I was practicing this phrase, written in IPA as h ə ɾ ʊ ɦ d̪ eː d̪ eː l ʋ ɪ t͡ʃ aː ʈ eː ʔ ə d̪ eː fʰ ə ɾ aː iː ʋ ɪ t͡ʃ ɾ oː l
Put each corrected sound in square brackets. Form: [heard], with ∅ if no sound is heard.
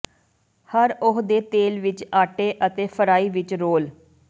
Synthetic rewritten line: h ə ɾ ʊ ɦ d̪ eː [t̪] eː l ʋ ɪ t͡ʃ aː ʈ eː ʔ ə [t̪] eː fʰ ə ɾ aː iː ʋ ɪ t͡ʃ ɾ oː l